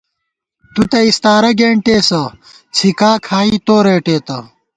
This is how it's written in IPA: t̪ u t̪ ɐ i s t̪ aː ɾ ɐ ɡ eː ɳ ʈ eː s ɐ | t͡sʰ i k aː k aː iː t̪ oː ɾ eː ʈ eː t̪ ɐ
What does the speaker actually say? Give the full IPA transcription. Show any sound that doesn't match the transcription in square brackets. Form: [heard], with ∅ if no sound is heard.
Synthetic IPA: t̪ u t̪ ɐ i s t̪ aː ɾ ɐ ɡ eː ɳ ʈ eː s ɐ | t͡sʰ i k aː [kʰ] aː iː t̪ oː ɾ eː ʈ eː t̪ ɐ